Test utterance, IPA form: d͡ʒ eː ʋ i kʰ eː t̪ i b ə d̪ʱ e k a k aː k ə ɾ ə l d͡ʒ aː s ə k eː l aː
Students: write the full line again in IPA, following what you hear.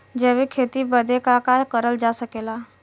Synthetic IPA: d͡ʒ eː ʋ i kʰ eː t̪ i b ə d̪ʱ e k a k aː k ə ɾ ə l d͡ʒ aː s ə k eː l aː